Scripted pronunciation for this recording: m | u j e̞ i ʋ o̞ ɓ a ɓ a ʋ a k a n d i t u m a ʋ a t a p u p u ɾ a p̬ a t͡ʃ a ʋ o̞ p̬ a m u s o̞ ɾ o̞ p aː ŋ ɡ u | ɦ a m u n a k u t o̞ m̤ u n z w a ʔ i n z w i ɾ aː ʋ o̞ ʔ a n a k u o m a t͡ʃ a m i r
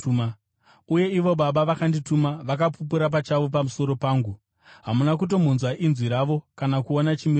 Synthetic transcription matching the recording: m | u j e̞ i ʋ o̞ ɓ a ɓ a ʋ a k a n d i t u m a ʋ a k a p u p u ɾ a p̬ a t͡ʃ a ʋ o̞ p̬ a m u s o̞ ɾ o̞ p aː ŋ ɡ u | ɦ a m u n a k u t o̞ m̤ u n z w a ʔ i n z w i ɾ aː ʋ o̞ k a n a k u o n a t͡ʃ i m i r